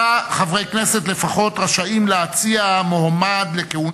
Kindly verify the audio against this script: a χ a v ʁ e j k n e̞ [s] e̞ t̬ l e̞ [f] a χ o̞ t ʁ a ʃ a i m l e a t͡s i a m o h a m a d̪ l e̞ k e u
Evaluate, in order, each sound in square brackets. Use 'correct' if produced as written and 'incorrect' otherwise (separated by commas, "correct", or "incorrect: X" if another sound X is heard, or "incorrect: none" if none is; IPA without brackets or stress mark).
correct, correct